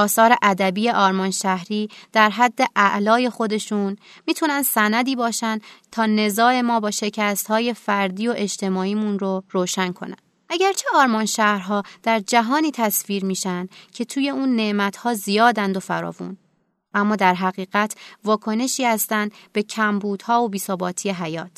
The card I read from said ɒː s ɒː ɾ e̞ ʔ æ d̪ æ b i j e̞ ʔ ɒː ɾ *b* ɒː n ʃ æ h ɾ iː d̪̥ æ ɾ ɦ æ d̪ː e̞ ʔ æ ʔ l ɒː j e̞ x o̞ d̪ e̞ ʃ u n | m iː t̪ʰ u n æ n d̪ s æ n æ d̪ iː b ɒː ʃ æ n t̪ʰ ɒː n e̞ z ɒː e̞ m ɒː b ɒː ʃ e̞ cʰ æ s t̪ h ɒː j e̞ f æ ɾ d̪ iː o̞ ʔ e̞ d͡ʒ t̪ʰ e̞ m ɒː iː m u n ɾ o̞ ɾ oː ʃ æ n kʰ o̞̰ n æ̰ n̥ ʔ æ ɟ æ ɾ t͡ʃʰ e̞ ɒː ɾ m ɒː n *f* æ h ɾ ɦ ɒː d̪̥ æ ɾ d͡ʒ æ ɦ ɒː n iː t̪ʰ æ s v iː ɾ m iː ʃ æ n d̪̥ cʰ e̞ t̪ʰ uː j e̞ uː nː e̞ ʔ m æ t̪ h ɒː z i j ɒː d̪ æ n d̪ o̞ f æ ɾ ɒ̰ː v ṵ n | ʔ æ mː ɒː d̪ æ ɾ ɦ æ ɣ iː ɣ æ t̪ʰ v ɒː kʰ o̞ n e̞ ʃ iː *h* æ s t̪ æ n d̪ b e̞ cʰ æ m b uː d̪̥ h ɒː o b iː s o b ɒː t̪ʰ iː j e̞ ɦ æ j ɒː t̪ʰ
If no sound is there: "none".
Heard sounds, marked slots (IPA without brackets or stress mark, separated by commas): m, ʃ, h